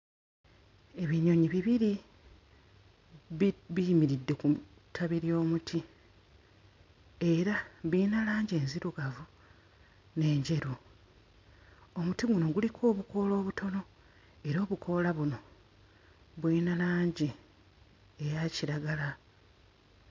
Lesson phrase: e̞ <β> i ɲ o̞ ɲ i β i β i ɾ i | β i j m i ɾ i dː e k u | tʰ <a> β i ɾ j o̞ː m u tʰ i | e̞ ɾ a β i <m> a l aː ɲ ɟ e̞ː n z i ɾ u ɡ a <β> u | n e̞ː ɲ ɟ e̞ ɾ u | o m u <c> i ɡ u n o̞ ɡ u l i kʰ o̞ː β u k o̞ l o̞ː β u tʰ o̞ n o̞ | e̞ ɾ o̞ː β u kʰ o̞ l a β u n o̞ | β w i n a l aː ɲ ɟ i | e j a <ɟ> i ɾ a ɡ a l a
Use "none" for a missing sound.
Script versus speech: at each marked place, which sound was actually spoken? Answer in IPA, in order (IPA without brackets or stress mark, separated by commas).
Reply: β, a, n, v, t, c